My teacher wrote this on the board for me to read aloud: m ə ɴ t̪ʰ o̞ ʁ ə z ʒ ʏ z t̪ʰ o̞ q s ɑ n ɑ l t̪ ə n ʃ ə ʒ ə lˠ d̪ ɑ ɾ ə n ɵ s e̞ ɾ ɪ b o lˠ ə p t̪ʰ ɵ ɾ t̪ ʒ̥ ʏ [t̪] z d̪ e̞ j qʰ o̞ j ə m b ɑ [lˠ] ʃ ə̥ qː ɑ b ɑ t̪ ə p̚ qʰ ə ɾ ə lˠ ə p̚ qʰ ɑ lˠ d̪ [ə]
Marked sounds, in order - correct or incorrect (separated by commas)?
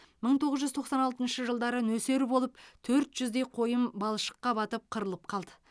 incorrect, correct, correct